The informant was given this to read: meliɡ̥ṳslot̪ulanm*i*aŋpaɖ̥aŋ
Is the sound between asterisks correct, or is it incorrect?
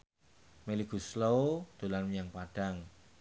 incorrect: j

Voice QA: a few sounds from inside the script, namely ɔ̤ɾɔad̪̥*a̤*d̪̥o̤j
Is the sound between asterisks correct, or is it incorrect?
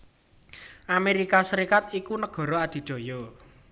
incorrect: i̤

